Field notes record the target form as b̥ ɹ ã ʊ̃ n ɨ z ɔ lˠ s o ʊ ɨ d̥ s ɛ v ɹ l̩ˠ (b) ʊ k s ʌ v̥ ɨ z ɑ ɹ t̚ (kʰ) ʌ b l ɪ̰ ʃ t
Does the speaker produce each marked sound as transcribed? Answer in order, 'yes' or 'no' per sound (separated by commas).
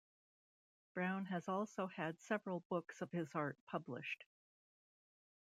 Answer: yes, no